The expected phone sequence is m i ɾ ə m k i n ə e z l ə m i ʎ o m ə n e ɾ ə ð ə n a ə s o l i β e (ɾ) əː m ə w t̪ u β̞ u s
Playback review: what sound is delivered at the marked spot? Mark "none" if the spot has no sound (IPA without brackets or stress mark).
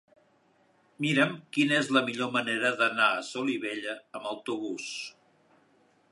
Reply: ʎ